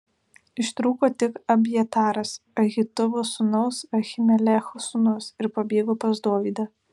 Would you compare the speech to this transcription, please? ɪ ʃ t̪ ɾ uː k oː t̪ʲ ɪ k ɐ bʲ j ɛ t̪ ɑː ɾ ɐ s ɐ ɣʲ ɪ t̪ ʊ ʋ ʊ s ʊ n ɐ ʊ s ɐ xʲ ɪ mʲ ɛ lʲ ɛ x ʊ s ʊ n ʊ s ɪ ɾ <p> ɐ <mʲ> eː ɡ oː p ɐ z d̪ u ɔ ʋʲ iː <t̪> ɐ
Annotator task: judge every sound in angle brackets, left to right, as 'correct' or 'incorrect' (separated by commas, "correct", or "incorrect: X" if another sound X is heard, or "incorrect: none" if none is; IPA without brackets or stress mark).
correct, incorrect: bʲ, incorrect: d̪